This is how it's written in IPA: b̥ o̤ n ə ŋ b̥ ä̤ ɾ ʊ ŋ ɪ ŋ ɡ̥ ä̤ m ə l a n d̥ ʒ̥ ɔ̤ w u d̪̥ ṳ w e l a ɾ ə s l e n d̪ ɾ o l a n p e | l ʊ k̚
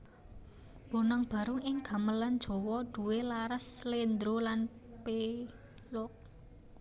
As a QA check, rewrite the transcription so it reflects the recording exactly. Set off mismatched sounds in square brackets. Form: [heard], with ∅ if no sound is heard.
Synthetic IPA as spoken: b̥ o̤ n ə ŋ b̥ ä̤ ɾ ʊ ŋ ɪ ŋ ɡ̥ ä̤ m ə l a n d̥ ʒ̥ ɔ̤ w [ɔ] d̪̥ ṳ w e l a ɾ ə s l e n d̪ ɾ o l a n p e | l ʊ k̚